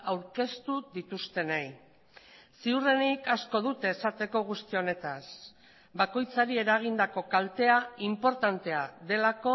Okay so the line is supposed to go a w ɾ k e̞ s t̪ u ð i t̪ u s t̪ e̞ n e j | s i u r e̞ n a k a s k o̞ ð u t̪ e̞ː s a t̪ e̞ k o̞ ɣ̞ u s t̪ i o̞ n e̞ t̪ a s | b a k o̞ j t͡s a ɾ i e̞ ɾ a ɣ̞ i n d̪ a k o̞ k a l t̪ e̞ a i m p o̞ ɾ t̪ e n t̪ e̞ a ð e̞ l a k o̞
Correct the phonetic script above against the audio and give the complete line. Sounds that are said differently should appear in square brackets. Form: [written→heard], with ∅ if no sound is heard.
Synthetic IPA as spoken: a w ɾ k e̞ s t̪ u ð i t̪ u s t̪ e̞ n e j | s i u r e̞ n [a→i] k a s k o̞ ð u t̪ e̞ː s a t̪ e̞ k o̞ ɣ̞ u s t̪ i o̞ n e̞ t̪ a s | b a k o̞ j t͡s a ɾ i e̞ ɾ a ɣ̞ i n d̪ a k o̞ k a l t̪ e̞ a i m p o̞ ɾ t̪ [e→a] n t̪ e̞ a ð e̞ l a k o̞

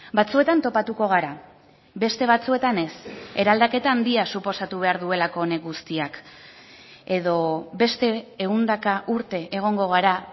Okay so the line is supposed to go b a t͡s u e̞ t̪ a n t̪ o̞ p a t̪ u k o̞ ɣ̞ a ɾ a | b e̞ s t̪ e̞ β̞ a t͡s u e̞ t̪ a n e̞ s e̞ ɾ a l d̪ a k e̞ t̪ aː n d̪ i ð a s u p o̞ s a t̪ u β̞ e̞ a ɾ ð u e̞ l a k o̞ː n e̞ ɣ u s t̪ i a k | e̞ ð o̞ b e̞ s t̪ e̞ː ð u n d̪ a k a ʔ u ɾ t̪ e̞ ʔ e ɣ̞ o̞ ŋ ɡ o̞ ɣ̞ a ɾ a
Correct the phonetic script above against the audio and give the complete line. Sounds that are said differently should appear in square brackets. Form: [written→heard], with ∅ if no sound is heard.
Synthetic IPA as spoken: b a t͡s u e̞ t̪ a n t̪ o̞ p a t̪ u k o̞ ɣ̞ a ɾ a | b e̞ s t̪ e̞ β̞ a t͡s u e̞ t̪ a n e̞ s e̞ ɾ a l d̪ a k e̞ t̪ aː n d̪ i [ð→∅] a s u p o̞ s a t̪ u β̞ e̞ a ɾ ð u e̞ l a k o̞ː n e̞ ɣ u s t̪ i a k | e̞ ð o̞ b e̞ s t̪ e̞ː [ð→ɣ] u n d̪ a k a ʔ u ɾ t̪ e̞ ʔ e ɣ̞ o̞ ŋ ɡ o̞ ɣ̞ a ɾ a

